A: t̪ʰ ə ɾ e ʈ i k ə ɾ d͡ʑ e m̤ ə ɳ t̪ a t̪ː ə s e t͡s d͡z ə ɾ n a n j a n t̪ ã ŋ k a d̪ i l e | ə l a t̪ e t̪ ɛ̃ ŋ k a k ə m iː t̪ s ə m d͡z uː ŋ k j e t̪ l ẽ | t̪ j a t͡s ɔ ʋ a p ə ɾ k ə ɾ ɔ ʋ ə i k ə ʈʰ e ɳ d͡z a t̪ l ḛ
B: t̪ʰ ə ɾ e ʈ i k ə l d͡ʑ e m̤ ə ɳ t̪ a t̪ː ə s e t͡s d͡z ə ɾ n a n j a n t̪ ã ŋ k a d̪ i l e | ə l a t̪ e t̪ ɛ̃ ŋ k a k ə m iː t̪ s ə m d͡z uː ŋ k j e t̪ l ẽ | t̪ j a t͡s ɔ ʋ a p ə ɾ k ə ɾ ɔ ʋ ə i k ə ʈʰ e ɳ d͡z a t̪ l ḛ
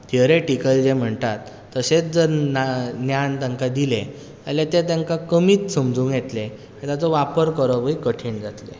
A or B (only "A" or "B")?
B